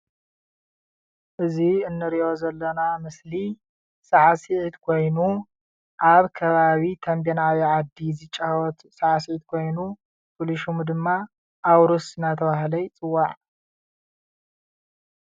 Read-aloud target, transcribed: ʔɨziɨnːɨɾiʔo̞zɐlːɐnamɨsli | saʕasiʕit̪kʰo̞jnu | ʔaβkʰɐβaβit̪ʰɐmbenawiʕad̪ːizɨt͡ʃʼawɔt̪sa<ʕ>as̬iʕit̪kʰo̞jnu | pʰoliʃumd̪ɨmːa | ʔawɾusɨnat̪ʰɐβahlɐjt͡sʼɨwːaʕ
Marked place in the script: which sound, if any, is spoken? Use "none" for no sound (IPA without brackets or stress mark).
ʕ